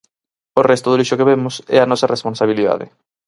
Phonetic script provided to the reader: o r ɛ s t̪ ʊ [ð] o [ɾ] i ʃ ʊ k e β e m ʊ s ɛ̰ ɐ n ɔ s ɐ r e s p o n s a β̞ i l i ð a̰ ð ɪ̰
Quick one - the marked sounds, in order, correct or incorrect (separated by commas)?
correct, incorrect